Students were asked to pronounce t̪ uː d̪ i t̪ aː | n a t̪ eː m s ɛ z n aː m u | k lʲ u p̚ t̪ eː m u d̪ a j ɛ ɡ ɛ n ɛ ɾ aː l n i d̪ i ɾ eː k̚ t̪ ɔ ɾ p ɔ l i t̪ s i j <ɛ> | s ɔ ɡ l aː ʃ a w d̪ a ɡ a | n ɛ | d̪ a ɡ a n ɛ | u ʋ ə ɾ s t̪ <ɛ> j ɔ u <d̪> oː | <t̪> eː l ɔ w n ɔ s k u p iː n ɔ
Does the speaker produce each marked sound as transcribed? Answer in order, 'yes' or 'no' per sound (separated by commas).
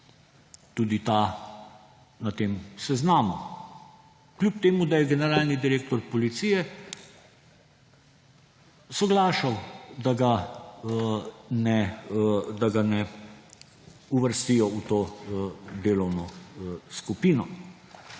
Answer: yes, no, no, no